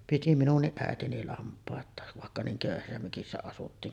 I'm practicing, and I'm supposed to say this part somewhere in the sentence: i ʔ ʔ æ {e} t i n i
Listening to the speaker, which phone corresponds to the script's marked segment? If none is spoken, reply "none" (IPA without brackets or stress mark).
e